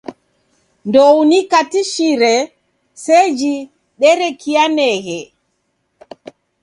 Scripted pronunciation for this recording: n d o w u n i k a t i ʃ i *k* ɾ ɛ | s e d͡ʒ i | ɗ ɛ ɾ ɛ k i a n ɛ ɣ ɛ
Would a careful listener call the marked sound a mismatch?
yes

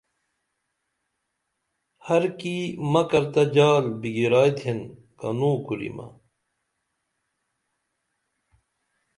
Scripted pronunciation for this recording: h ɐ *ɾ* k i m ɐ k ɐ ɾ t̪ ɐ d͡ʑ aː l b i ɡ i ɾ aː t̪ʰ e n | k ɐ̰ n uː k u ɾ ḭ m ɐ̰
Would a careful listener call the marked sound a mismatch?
no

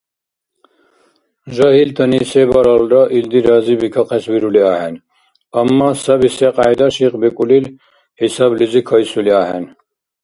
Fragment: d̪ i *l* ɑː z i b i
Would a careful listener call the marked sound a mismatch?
yes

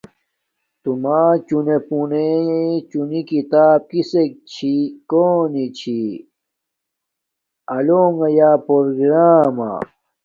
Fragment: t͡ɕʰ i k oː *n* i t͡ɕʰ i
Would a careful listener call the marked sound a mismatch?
no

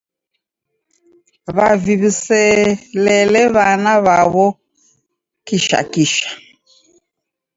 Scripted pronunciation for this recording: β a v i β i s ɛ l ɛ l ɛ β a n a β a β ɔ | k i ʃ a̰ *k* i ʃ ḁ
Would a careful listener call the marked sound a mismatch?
no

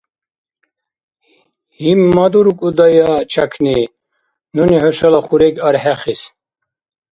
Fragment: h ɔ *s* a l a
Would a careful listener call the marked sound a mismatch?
yes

